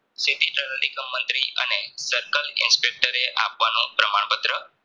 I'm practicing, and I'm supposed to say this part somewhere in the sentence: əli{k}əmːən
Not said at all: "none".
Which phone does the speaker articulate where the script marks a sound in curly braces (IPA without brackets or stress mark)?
k